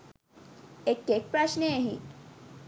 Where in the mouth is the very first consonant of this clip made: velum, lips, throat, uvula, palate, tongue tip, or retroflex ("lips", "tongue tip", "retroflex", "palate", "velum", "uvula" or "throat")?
velum